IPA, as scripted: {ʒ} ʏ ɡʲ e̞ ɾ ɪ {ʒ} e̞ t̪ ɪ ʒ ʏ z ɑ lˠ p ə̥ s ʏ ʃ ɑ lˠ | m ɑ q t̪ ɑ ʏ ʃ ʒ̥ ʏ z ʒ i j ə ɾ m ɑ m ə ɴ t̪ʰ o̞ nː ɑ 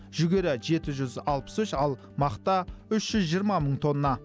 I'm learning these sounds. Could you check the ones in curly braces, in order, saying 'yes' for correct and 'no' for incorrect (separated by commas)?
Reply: yes, yes